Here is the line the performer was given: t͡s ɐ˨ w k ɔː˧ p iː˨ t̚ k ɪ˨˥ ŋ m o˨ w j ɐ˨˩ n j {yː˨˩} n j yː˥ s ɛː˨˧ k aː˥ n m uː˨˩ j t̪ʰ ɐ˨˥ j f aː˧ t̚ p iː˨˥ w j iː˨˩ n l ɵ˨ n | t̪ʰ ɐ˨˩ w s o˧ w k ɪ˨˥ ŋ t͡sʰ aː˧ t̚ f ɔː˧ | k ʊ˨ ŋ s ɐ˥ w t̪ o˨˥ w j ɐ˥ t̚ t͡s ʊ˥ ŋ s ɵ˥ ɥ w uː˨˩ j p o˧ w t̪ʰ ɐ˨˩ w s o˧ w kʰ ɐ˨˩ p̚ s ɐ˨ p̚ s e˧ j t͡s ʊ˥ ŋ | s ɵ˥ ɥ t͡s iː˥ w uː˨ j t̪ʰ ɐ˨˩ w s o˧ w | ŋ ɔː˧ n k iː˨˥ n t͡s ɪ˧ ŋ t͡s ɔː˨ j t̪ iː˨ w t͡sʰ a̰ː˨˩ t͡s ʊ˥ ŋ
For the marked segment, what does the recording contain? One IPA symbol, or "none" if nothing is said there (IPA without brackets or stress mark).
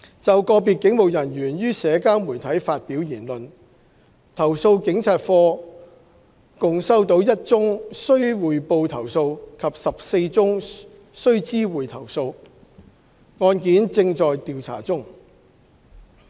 yː˨˩